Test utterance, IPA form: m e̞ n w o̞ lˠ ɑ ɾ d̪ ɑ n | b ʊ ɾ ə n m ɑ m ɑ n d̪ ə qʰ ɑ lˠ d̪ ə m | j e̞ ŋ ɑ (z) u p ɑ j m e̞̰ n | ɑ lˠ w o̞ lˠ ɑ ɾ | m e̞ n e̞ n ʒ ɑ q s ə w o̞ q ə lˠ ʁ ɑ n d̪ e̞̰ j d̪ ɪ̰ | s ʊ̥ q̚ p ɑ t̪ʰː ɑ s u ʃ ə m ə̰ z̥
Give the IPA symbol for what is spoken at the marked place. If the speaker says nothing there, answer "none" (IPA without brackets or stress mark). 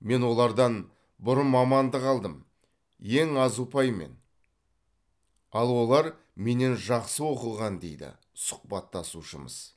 z